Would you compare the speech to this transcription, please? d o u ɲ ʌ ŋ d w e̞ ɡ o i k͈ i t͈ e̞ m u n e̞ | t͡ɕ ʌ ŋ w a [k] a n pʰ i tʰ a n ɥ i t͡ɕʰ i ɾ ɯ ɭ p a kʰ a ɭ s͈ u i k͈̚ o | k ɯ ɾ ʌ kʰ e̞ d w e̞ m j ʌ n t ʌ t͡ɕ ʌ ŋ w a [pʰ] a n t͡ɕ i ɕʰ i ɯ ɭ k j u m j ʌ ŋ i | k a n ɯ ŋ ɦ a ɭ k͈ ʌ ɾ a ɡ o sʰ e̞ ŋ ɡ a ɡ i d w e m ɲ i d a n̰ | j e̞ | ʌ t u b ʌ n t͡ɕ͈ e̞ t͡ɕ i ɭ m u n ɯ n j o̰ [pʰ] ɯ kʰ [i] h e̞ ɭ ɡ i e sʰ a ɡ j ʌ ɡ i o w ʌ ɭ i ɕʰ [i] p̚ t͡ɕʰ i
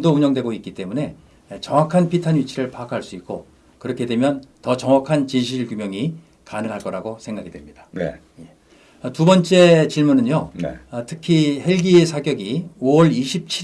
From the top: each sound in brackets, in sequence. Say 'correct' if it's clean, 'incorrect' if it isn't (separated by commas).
incorrect, incorrect, incorrect, correct, correct